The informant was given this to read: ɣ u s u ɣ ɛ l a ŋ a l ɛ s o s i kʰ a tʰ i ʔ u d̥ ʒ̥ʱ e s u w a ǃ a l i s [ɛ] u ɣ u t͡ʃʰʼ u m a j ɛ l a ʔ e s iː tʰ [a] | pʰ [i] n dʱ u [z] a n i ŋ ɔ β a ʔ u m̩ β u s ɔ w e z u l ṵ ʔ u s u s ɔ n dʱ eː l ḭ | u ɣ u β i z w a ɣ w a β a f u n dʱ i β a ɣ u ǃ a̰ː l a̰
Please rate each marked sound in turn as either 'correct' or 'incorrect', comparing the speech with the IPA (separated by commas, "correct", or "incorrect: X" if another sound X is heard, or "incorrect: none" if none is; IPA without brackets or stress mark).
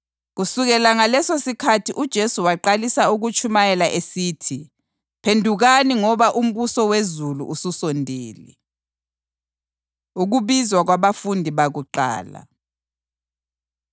incorrect: a, incorrect: i, incorrect: e, incorrect: ɣ